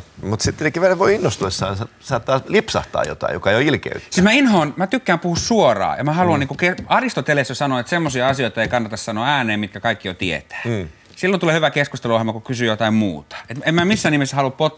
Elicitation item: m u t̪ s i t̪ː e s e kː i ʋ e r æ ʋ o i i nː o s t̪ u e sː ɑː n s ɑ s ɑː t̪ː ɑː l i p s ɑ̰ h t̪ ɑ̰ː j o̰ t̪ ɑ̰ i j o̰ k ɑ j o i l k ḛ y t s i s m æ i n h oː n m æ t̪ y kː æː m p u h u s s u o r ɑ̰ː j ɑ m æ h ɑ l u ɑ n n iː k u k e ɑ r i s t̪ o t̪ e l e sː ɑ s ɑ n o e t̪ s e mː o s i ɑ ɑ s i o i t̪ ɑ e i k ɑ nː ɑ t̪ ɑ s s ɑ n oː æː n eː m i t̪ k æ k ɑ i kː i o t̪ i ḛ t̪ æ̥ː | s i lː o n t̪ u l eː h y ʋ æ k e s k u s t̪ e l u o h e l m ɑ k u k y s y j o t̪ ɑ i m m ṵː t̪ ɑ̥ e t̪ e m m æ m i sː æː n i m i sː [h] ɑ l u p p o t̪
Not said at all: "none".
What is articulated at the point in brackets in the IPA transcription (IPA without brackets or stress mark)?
h